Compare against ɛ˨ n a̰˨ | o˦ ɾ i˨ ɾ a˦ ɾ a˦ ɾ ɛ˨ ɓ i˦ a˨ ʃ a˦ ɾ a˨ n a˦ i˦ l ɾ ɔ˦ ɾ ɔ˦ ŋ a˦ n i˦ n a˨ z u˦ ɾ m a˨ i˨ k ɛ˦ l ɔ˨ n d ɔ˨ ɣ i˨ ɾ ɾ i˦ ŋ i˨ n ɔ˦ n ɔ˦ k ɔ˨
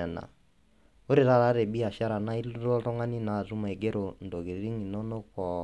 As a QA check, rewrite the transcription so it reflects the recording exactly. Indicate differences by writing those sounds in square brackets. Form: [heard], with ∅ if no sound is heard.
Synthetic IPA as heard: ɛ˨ n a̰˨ | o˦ ɾ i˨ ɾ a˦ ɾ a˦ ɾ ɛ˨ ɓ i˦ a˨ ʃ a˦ ɾ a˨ n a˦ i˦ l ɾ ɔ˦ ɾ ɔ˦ ŋ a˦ n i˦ n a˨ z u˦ [∅] m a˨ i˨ [ɡ] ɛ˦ [ɾ] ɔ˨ n d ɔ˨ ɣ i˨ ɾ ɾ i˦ ŋ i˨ n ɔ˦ n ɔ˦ k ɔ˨